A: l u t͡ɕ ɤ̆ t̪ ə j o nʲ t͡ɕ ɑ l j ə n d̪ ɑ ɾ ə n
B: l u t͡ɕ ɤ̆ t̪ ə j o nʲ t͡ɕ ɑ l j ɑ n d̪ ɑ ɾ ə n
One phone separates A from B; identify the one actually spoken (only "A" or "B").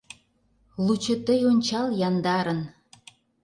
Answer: B